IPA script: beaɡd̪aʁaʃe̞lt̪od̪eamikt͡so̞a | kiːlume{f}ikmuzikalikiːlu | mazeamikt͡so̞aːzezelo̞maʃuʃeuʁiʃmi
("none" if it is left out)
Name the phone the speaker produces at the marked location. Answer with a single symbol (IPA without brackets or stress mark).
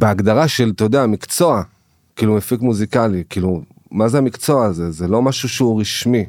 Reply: f